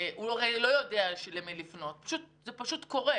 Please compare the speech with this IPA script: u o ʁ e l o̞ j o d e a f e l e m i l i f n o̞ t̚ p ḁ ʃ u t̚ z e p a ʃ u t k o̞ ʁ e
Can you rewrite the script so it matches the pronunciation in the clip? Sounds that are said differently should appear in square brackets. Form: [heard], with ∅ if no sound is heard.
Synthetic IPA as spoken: u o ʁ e l o̞ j o d e a [ʃ] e l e m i l i f n o̞ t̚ p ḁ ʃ u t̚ z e p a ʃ u t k o̞ ʁ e